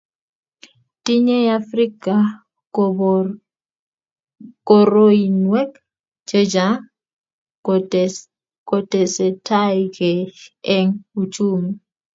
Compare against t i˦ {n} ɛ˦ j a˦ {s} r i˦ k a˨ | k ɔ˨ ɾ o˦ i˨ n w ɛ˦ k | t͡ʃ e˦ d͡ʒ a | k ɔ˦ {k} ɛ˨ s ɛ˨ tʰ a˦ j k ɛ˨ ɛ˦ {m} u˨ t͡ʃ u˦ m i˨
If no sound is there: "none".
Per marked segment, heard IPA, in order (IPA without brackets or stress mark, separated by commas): ɲ, f, t, ŋ